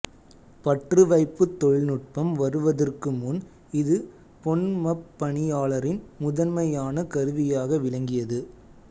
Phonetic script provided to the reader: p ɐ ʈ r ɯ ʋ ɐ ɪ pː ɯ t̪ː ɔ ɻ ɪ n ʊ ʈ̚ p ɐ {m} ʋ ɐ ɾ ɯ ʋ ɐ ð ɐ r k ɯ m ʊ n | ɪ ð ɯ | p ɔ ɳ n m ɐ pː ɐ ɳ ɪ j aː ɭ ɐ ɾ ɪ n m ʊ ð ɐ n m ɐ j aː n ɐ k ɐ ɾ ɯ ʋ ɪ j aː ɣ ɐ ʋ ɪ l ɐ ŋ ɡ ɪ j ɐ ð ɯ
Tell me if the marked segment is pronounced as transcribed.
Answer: yes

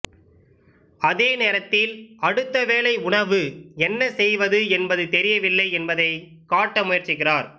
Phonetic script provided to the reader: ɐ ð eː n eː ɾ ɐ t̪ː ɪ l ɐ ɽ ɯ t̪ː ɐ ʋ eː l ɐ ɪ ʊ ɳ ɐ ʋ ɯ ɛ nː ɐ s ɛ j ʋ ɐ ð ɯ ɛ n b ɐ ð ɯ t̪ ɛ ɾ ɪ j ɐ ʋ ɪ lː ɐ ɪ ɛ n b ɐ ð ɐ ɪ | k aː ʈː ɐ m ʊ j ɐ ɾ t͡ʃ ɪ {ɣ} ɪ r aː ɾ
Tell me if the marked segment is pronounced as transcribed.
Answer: yes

